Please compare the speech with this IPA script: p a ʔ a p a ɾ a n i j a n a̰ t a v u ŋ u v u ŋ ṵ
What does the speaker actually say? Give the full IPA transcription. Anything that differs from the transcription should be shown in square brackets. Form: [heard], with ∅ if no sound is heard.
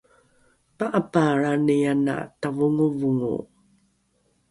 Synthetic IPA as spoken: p a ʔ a p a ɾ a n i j a n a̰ t a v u ŋ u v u ŋ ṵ